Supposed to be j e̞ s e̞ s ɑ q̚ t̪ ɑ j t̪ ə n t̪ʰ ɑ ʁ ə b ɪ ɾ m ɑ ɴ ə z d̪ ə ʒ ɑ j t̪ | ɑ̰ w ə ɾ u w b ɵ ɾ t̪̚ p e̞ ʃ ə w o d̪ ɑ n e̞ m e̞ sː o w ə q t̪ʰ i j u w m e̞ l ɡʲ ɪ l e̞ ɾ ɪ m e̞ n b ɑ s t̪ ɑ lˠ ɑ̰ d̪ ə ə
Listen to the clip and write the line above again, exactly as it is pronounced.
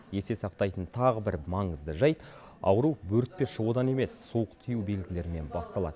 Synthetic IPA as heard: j e̞ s e̞ s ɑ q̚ t̪ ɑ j t̪ ə n t̪ʰ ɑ ʁ ə b ɪ ɾ m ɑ ɴ ə z d̪ ə ʒ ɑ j t̪ | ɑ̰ w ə ɾ u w b ɵ ɾ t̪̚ p e̞ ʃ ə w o d̪ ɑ n e̞ m e̞ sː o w ə q t̪ʰ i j u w b e̞ l ɡʲ ɪ l e̞ ɾ ɪ m e̞ n b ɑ s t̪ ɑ lˠ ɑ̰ d̪ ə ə